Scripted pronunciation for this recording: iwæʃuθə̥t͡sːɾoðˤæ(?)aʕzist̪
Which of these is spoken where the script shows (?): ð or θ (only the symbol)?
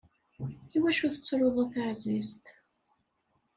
θ